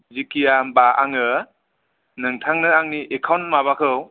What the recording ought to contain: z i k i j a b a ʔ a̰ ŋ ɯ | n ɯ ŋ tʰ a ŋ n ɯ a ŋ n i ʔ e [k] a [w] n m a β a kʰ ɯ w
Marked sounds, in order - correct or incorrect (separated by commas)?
incorrect, correct